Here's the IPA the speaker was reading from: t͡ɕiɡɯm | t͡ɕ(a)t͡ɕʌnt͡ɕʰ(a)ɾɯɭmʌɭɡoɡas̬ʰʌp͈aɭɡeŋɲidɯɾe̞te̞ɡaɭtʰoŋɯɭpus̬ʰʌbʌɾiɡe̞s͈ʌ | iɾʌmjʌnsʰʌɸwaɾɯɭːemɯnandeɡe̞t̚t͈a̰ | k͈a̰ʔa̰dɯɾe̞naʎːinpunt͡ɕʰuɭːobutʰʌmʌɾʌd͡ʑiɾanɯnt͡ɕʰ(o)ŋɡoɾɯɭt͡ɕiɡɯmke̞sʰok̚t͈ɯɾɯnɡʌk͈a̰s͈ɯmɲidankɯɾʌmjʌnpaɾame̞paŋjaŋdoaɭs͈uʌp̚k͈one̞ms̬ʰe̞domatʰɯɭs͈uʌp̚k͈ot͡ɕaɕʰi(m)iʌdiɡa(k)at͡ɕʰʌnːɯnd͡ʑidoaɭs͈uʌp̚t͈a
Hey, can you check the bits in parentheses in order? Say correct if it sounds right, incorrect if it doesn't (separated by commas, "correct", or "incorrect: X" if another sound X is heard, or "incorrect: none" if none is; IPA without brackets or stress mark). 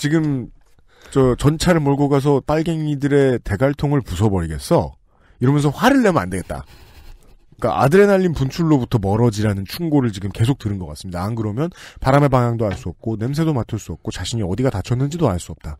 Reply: incorrect: ʌ, correct, incorrect: u, incorrect: ɲ, incorrect: t